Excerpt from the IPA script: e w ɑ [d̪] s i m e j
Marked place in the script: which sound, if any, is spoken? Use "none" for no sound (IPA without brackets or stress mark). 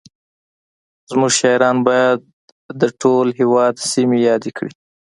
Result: d̪